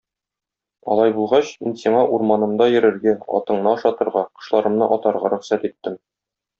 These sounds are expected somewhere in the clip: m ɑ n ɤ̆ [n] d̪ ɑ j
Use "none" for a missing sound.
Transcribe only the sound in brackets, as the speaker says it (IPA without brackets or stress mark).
m